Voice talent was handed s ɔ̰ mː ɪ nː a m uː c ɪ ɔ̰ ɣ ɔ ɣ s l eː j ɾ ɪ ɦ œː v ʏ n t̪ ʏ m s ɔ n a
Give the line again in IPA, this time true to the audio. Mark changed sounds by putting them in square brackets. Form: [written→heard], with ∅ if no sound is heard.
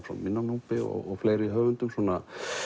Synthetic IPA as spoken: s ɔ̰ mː ɪ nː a [m→n] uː [c→p] ɪ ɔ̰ ɣ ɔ ɣ [s→f] l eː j ɾ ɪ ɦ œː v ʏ n t̪ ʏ m s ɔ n a